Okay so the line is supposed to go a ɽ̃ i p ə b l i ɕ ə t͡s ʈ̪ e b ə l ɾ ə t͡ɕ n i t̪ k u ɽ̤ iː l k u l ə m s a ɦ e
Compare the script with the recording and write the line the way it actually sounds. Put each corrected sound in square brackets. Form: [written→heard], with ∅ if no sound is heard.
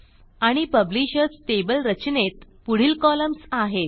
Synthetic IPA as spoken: a ɽ̃ i p ə b l i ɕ ə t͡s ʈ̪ e b ə l ɾ ə t͡ɕ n [i→e] t̪ [k→p] u ɽ̤ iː l k [u→ɔ] l ə m s a ɦ e